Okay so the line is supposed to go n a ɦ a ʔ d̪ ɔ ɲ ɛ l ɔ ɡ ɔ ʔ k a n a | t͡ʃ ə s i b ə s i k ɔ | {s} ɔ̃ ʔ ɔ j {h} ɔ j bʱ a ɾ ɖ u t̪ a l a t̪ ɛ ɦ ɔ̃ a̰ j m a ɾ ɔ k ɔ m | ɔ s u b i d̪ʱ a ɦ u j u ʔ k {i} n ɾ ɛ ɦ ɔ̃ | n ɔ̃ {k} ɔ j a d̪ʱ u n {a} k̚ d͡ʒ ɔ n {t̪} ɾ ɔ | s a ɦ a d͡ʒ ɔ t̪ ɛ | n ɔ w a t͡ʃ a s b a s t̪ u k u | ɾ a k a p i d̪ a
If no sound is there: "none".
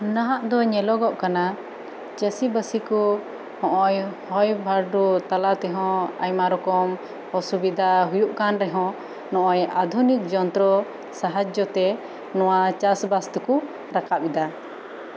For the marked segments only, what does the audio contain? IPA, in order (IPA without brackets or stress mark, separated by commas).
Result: h, h, a, ʔ, i, t̪